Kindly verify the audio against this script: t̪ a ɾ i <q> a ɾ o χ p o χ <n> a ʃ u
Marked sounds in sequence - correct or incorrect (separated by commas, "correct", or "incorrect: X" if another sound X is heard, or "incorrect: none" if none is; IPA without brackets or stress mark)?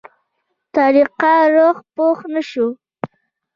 correct, correct